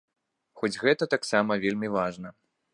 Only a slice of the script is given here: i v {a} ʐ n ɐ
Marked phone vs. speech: correct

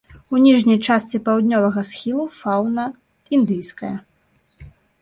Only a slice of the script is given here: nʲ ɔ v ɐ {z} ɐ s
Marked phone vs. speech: incorrect: ɣ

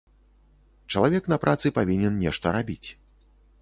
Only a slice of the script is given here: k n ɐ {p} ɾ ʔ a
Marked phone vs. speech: correct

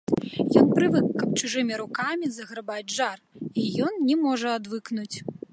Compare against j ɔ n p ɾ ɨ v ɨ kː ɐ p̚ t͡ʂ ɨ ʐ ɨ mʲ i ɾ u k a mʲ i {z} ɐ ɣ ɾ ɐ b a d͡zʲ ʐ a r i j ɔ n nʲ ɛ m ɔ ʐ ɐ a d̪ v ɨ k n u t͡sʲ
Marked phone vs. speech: correct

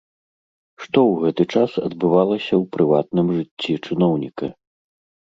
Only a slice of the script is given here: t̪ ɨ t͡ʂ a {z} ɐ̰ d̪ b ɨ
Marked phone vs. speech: incorrect: s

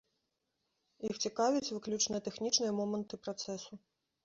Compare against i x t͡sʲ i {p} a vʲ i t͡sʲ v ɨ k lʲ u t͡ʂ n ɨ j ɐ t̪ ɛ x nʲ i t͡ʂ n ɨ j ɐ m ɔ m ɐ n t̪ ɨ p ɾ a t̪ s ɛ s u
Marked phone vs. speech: incorrect: k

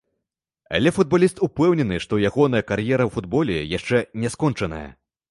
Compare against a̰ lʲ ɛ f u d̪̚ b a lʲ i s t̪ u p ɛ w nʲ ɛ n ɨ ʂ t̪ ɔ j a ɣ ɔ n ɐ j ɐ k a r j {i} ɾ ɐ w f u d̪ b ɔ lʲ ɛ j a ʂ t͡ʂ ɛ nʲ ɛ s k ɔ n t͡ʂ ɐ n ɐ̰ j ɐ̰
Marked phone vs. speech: incorrect: ɛ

